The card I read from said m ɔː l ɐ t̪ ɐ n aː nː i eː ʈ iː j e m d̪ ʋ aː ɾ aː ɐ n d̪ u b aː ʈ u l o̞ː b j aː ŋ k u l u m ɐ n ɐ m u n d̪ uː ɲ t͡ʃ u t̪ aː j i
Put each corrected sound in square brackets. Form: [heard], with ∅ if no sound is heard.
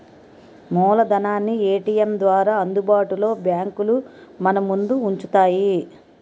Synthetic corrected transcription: m ɔː l ɐ [d̪] ɐ n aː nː i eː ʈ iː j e m d̪ ʋ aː ɾ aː ɐ n d̪ u b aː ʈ u l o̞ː b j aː ŋ k u l u m ɐ n ɐ m u n d̪ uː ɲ t͡ʃ u t̪ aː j i